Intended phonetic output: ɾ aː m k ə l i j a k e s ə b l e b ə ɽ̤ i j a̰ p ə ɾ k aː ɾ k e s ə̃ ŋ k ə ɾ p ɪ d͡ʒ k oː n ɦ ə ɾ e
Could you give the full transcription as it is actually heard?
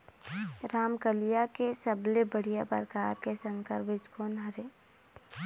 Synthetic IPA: ɾ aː m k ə l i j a k e s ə b l e b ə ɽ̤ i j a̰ p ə ɾ k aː ɾ k e s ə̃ ŋ k ə ɾ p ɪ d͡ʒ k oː n ɦ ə ɾ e

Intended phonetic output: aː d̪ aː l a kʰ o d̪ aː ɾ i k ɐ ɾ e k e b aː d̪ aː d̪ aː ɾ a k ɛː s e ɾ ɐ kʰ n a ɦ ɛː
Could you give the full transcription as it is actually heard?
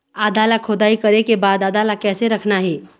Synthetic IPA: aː d̪ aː l a kʰ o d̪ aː i k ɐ ɾ e k e b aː d̪ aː d̪ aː l a k ɛː s e ɾ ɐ kʰ n a ɦ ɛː

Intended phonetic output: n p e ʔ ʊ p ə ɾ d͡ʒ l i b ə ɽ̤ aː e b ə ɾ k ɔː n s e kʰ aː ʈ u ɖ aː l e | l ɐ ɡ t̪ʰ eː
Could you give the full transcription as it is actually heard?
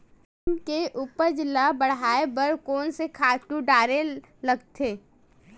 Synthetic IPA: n k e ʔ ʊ p ə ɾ d͡ʒ l a b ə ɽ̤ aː e b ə ɾ k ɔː n s e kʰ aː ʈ u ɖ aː ɾ e | l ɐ ɡ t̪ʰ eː

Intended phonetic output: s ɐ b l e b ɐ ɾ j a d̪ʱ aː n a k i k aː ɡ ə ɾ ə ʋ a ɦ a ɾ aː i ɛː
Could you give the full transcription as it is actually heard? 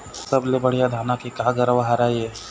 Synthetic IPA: s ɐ b l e b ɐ ɽ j a d̪ʱ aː n a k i k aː ɡ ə ɾ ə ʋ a ɦ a ɾ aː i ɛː

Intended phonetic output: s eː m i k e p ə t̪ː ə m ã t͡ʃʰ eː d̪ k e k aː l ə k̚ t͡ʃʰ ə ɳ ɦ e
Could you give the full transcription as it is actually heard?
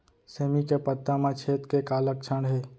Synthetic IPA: s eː m i k e p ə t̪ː a m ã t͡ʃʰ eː t̪ k e k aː l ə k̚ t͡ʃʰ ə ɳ ɦ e

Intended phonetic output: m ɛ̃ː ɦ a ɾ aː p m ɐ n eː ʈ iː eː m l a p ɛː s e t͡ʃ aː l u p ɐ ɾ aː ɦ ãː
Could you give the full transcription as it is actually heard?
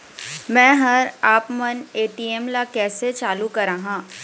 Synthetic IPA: m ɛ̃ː ɦ ɐ ɾ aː p m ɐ n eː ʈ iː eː m l a k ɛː s e t͡ʃ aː l u k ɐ ɾ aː ɦ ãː

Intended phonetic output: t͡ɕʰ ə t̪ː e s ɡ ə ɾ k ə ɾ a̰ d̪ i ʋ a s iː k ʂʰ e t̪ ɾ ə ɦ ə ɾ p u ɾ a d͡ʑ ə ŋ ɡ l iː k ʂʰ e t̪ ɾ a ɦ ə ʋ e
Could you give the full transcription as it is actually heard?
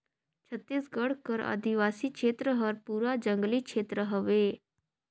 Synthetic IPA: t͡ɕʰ ə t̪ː e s ɡ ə ɽ k ə ɾ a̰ d̪ i ʋ a s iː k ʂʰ e t̪ ɾ ə ɦ ə ɾ p u ɾ a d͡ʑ ə ŋ ɡ l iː k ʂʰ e t̪ ɾ ə ɦ ə ʋ e

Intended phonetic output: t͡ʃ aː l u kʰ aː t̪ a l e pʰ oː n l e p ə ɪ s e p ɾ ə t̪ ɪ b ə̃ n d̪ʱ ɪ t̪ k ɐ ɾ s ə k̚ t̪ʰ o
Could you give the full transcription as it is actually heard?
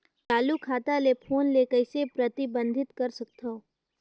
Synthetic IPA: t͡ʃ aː l u kʰ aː t̪ a l e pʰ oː n l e k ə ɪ s e p ɾ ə t̪ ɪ b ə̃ n d̪ʱ ɪ t̪ k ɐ ɾ s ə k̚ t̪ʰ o

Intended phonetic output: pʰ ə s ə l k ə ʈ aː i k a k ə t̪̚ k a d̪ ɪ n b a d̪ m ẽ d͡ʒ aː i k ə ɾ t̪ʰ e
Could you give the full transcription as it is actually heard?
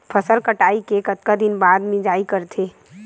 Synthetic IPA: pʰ ə s ə l k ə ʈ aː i k e k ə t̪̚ k a d̪ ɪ n b a d̪ m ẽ d͡ʒ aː i k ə ɾ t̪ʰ e

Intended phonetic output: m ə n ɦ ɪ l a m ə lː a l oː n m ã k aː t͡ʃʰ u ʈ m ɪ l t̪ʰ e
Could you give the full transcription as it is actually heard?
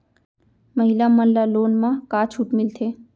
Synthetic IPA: m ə ɦ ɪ l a m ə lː a l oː n m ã k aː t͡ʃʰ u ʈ m ɪ l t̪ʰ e

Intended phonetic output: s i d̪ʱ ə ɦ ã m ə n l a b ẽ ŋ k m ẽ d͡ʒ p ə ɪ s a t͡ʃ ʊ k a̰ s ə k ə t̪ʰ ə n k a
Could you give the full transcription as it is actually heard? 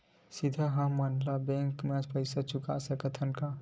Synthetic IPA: s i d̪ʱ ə ɦ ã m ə n l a b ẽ ŋ k m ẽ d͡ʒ p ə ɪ s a t͡ʃ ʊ k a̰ s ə k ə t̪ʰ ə n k a

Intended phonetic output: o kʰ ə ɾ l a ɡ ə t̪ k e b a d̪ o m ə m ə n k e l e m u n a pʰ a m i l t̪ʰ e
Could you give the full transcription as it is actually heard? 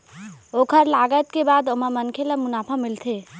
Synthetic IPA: o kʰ ə ɾ l a ɡ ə t̪ k e b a d̪ o m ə m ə n kʰ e l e m u n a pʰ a m i l t̪ʰ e

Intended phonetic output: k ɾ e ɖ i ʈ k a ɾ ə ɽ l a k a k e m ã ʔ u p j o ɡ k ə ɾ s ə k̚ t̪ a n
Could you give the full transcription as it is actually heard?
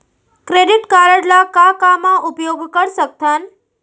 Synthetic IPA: k ɾ e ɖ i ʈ k a ɾ ə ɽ l a k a k a m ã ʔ u p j o ɡ k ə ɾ s ə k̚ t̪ a n

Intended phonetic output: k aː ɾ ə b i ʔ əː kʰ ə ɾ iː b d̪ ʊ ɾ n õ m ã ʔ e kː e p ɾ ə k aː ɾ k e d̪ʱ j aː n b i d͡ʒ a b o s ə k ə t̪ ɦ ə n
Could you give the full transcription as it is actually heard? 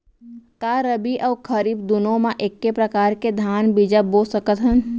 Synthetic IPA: k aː ɾ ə b i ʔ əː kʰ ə ɾ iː b d̪ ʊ n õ m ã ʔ e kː e p ɾ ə k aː ɾ k e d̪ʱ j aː n b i d͡ʒ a b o s ə k ə t̪ ɦ ə n

